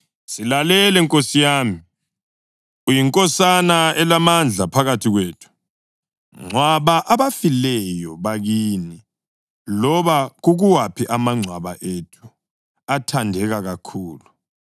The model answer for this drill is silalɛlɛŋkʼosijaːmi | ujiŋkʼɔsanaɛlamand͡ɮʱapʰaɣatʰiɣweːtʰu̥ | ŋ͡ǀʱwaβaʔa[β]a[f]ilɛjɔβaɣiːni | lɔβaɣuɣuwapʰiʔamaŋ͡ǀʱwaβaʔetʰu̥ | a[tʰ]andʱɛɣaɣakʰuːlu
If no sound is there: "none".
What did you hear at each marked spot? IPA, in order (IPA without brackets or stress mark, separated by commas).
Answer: β, f, tʰ